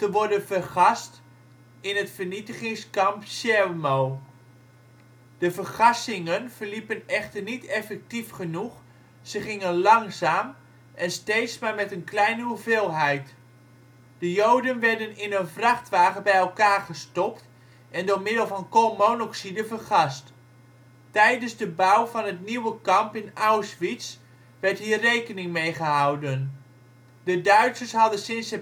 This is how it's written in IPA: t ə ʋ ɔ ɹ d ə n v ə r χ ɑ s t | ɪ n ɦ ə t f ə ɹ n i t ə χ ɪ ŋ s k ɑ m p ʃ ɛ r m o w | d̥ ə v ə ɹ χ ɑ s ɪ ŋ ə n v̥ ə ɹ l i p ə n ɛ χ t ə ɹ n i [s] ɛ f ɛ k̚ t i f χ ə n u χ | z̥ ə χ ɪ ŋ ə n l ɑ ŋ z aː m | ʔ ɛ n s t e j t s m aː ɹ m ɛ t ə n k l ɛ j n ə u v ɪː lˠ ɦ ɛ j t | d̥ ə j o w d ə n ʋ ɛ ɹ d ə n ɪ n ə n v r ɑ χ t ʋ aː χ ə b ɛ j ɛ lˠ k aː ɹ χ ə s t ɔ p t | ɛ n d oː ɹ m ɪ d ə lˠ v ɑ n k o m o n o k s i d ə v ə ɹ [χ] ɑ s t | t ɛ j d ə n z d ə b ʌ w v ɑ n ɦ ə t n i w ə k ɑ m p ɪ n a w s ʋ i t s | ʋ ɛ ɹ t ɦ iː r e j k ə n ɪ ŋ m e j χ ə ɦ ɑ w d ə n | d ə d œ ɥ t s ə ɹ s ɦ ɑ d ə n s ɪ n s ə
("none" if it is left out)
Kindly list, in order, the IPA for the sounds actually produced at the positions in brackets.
t, χ

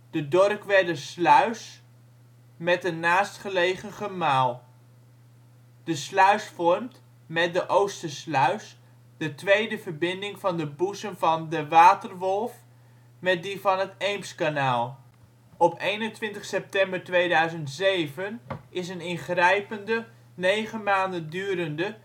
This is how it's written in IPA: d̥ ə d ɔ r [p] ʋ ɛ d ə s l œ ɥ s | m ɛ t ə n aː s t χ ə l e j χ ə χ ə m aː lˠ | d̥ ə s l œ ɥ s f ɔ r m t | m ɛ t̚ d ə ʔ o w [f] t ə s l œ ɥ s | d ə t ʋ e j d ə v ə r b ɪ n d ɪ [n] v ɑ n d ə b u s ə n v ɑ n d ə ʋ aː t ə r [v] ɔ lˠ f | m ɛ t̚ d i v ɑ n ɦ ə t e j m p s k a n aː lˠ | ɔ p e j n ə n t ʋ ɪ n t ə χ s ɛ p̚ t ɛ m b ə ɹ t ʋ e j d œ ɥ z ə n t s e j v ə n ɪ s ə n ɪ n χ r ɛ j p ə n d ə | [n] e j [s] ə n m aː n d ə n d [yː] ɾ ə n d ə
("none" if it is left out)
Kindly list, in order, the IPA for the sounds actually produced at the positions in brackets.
k, s, ŋ, ʋ, n, χ, yː

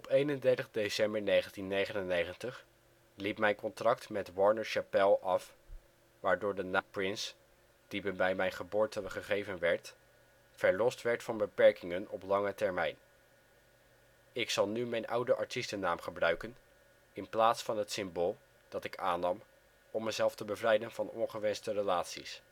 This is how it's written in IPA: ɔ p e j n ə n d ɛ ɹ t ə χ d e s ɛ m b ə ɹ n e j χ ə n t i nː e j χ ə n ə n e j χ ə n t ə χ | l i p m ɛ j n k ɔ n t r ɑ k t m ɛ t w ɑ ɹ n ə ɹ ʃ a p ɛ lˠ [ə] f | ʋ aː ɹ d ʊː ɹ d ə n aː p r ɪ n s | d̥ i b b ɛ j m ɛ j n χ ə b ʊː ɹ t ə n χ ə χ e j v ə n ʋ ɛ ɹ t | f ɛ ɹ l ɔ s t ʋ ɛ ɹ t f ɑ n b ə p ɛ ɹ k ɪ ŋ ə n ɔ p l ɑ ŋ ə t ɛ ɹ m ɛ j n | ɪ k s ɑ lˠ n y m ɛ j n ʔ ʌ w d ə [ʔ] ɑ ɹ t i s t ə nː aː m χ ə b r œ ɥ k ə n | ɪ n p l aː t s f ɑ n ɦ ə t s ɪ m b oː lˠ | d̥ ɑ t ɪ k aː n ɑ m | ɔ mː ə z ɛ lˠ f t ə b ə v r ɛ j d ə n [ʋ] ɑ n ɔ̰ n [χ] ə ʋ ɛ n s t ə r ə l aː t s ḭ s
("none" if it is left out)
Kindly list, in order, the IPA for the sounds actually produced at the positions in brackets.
ɑ, ʔ, v, χ

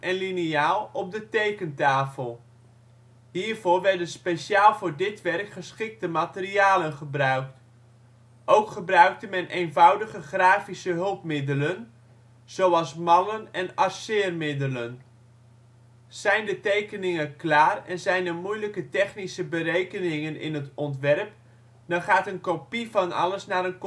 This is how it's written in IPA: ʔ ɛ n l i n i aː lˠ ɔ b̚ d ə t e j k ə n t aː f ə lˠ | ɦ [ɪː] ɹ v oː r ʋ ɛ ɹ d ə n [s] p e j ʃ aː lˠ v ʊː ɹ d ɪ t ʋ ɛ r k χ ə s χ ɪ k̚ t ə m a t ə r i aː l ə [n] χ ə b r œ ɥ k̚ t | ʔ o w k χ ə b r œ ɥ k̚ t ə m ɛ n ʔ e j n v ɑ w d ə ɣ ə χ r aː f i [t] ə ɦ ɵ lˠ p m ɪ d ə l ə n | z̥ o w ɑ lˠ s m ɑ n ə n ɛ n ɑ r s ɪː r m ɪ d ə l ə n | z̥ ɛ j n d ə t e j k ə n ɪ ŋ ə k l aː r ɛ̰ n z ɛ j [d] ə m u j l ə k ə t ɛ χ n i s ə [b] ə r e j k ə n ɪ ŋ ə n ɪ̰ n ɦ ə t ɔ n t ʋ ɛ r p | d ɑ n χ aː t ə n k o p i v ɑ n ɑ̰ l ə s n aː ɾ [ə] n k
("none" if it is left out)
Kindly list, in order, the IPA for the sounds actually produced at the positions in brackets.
iː, s, n, s, n, b, ə

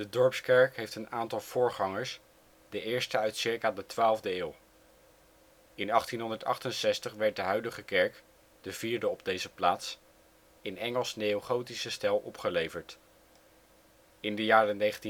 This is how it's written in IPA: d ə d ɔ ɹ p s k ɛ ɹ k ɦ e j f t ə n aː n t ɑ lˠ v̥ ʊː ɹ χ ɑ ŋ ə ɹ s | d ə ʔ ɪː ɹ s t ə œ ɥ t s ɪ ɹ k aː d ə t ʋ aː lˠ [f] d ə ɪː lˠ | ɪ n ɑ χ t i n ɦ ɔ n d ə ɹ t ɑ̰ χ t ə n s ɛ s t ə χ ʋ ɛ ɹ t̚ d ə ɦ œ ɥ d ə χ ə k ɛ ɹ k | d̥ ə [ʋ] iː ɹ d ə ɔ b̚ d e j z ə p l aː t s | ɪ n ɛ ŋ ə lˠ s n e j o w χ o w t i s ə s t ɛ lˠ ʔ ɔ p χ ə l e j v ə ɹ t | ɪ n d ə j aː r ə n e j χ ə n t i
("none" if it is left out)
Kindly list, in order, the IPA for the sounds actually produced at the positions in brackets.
v, v

